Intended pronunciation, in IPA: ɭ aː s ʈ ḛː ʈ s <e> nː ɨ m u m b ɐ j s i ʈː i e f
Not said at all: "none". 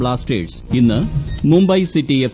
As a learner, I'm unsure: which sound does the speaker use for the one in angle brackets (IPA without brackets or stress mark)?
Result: i